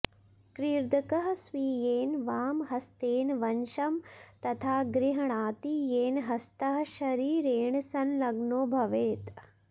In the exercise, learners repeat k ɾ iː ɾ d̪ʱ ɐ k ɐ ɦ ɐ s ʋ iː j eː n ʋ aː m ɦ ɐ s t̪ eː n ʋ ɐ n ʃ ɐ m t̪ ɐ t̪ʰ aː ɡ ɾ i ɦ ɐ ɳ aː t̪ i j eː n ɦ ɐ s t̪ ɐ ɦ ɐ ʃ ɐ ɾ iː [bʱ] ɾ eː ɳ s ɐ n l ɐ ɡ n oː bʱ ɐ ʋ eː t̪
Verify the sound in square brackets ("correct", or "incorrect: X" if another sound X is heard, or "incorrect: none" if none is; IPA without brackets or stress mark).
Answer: incorrect: none